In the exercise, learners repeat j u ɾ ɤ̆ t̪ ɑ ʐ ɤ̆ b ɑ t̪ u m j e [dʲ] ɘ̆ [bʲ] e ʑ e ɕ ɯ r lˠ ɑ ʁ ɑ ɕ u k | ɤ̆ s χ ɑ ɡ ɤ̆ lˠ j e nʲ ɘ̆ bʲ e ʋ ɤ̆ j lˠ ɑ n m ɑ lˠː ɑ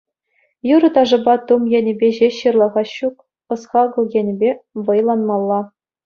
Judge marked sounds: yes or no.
no, yes

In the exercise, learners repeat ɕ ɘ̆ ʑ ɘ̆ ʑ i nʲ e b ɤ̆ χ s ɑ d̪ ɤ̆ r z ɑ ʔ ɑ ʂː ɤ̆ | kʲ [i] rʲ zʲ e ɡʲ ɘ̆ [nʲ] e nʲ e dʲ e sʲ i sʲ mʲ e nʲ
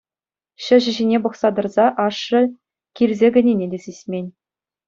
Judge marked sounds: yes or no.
yes, yes

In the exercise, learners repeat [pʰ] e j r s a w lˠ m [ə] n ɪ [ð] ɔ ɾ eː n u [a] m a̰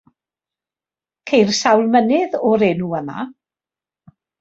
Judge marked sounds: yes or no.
no, yes, yes, no

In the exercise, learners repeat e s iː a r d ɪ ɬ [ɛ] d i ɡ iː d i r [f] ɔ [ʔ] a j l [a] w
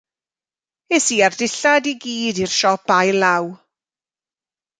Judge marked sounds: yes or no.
no, no, no, yes

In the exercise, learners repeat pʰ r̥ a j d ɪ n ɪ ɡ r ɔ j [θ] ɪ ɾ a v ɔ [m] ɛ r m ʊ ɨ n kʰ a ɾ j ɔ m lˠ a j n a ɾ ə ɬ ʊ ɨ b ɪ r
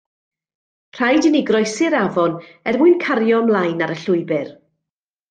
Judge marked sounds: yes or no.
no, no

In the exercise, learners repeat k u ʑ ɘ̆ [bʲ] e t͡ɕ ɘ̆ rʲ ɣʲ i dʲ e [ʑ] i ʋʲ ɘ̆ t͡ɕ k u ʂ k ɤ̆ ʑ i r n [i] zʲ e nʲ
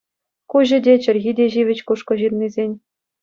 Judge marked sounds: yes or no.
no, yes, yes

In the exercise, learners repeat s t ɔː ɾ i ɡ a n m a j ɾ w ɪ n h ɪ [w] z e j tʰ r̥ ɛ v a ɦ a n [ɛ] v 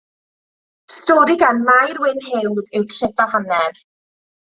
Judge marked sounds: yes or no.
yes, yes

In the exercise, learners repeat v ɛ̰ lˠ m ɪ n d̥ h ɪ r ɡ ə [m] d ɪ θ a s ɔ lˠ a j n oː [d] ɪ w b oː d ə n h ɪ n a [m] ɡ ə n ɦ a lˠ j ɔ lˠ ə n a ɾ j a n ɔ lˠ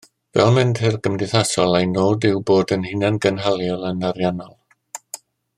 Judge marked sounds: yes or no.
yes, yes, no

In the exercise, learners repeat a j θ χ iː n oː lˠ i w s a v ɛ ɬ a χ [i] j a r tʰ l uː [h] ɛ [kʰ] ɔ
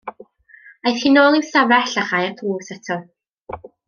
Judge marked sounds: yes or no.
no, no, no

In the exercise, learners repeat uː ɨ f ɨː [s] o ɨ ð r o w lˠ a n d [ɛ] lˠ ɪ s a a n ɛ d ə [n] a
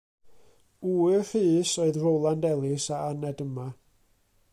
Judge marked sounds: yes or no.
yes, yes, no

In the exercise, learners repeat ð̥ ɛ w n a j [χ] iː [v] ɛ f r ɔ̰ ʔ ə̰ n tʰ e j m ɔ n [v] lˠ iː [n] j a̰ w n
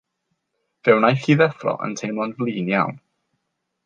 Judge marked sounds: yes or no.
no, no, yes, yes

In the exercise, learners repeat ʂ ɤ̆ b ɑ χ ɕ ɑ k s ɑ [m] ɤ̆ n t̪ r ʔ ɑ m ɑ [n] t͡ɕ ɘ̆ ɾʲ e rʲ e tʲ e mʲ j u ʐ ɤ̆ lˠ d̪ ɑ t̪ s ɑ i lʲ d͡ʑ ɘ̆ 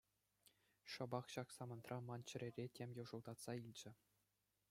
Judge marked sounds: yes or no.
yes, yes

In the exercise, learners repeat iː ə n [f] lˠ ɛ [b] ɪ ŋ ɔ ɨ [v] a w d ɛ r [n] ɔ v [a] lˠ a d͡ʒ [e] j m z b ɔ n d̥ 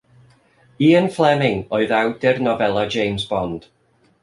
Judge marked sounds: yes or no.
yes, no, no, yes, no, yes

